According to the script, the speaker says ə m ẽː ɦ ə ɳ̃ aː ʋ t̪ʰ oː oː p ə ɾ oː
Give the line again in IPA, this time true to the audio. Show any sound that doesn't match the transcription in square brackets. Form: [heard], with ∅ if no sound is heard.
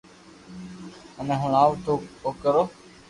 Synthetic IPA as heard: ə [n] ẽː ɦ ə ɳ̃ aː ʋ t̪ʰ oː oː [k] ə ɾ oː